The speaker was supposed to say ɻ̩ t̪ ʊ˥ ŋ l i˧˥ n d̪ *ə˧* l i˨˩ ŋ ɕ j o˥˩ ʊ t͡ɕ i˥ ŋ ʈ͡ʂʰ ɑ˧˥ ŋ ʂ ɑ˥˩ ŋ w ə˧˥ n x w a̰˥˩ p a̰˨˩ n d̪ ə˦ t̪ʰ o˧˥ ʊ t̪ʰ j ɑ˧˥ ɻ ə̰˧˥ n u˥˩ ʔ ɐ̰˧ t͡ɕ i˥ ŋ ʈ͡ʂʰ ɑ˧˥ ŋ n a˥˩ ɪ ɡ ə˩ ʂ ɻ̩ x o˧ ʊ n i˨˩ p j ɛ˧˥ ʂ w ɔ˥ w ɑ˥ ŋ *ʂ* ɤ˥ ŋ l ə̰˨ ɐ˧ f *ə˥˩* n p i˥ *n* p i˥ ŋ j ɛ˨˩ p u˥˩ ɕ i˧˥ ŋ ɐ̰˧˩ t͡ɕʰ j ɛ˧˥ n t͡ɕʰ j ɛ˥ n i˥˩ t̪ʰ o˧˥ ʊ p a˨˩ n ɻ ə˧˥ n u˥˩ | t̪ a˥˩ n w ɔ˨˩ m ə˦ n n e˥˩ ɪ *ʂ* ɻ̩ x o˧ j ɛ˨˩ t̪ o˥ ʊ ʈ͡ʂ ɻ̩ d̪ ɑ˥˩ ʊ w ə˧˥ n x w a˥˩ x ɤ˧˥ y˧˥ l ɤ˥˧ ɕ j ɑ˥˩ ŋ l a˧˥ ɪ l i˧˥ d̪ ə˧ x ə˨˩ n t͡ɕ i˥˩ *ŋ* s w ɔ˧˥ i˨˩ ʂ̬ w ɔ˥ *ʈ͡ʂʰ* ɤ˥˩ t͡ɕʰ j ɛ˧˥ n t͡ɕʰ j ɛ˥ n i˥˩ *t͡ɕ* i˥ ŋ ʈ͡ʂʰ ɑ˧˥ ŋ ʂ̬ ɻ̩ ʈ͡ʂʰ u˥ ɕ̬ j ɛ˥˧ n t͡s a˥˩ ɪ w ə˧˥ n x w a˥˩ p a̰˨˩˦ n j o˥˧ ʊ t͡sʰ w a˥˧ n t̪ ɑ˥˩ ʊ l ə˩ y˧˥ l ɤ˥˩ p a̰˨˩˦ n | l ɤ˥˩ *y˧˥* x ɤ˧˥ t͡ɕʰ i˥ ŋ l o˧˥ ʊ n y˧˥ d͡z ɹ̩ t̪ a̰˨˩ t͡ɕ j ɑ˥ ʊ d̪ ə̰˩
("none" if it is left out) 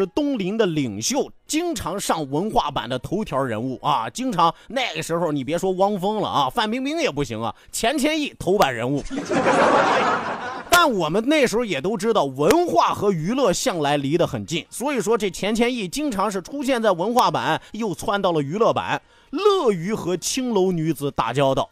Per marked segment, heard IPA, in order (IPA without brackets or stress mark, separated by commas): ə˧, f, a˥˩, ŋ, ʂ, n, ʈ͡ʂ, t͡ɕ, y˧˥